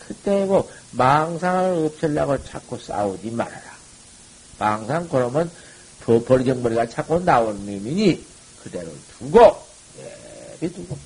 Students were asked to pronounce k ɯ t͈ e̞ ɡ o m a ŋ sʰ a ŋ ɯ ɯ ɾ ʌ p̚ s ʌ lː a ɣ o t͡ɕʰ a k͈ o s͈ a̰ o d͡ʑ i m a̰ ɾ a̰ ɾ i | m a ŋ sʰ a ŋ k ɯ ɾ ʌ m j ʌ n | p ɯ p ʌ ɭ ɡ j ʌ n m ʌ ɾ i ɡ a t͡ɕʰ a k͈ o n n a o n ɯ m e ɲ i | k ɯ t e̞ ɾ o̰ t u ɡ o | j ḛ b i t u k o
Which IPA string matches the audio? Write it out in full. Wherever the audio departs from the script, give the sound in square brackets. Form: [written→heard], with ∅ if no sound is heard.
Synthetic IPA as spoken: k ɯ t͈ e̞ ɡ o m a ŋ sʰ a ŋ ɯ ɯ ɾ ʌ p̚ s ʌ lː a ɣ o t͡ɕʰ a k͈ o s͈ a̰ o d͡ʑ i m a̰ ɾ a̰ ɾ [i→a] | m a ŋ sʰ a ŋ k ɯ ɾ ʌ m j ʌ n | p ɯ p ʌ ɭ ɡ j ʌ [n→ŋ] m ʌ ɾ i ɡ a t͡ɕʰ a k͈ o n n a o n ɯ m [e→i] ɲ i | k ɯ [t→d] e̞ ɾ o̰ t u ɡ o | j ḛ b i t u [k→ɡ] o